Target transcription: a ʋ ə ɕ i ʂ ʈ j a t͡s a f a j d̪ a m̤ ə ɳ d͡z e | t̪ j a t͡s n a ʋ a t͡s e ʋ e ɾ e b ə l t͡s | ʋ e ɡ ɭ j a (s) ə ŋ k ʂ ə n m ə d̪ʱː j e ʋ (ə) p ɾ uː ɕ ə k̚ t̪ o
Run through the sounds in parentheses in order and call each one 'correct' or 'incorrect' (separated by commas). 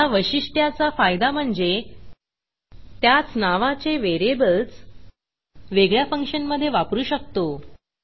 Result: incorrect, incorrect